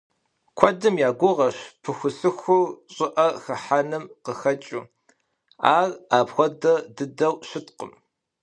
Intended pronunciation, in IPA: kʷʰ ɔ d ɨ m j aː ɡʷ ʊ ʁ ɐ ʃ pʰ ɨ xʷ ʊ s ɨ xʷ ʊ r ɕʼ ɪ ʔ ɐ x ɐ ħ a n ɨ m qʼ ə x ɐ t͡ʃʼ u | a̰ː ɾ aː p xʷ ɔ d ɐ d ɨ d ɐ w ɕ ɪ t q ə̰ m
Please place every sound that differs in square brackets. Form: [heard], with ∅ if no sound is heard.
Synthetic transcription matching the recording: kʷʰ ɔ d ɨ m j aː ɡʷ ʊ ʁ ɐ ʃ pʰ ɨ xʷ ʊ s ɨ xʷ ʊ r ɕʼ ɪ ʔ ɐ x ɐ ħ a n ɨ m [q] ə x ɐ t͡ʃʼ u | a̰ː [r] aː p xʷ ɔ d ɐ d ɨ d ɐ w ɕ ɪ t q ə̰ m